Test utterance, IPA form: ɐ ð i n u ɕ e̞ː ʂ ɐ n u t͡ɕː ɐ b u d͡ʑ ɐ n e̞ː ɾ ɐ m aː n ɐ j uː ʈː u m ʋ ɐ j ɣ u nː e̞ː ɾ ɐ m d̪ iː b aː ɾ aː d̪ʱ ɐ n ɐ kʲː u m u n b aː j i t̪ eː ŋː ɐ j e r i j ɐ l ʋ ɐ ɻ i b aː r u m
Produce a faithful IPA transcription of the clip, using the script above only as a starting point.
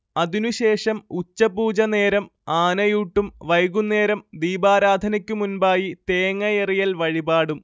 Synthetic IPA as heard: ɐ ð i n u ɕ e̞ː ʂ ɐ m u t͡ɕː ɐ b uː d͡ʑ ɐ n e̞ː ɾ ɐ m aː n ɐ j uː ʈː u m ʋ ɐ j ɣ u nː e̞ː ɾ ɐ m d̪ iː b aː ɾ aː d̪ʱ ɐ n ɐ kʲː u m u n b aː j i t̪ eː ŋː ɐ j e r i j ɐ l ʋ ɐ ɻ i b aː ɽ u m